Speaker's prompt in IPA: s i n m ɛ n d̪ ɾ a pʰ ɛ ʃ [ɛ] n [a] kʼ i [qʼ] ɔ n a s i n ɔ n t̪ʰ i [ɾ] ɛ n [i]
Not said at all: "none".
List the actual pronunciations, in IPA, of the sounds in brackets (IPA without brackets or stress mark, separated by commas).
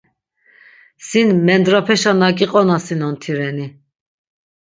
a, a, qʼ, ɾ, i